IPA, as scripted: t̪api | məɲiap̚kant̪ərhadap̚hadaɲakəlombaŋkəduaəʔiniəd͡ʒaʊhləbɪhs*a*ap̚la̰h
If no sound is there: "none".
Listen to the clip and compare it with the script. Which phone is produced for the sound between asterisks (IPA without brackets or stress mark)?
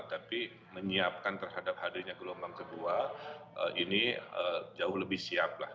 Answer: i